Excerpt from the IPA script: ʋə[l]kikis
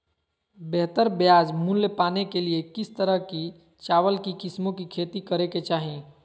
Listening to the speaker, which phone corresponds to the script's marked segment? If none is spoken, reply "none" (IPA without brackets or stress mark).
l